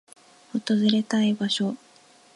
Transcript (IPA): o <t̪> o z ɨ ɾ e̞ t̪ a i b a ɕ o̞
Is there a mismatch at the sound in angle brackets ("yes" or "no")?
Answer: no